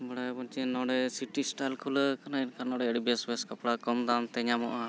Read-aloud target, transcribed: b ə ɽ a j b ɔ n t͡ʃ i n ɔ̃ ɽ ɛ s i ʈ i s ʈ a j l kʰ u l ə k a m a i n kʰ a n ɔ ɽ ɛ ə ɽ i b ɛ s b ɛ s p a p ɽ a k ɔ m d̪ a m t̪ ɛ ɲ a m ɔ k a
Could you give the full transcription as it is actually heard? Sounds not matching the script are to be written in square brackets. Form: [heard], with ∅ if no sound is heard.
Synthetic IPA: b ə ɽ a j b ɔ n t͡ʃ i n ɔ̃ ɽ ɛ s i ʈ i s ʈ a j l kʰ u l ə k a [n] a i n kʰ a n ɔ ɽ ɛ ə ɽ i b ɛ s b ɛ s [k] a p ɽ a k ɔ m d̪ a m t̪ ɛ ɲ a m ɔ [ʔ] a